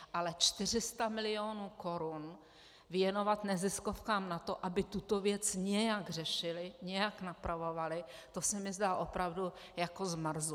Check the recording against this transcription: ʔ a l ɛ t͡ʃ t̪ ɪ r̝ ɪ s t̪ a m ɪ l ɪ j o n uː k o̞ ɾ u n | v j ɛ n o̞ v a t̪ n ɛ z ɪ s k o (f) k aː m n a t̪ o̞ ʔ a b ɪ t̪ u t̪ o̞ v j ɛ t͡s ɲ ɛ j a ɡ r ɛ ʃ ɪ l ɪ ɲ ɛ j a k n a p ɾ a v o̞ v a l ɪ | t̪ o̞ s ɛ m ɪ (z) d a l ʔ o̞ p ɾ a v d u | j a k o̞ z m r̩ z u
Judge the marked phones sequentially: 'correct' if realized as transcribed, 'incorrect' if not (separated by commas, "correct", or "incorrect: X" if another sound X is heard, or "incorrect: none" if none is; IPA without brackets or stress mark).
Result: correct, correct